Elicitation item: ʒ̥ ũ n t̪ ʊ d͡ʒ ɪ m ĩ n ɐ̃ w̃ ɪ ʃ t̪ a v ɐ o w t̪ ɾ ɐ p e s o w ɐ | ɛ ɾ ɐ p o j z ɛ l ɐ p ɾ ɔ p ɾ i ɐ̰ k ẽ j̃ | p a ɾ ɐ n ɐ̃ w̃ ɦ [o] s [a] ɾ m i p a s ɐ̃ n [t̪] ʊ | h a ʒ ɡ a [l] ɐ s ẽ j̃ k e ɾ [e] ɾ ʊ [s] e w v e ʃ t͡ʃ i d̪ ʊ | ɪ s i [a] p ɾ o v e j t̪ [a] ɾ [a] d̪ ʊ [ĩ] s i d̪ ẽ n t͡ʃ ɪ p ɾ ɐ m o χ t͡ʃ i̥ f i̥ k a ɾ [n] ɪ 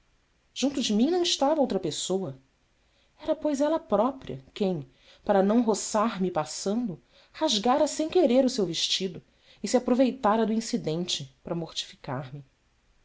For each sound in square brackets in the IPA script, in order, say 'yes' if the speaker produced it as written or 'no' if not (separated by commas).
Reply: yes, yes, no, no, yes, yes, yes, yes, no, yes, no